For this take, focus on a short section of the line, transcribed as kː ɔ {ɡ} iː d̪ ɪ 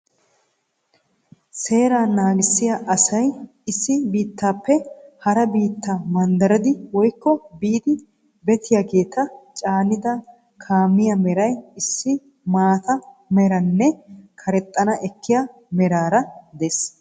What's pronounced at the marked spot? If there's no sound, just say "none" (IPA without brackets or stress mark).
b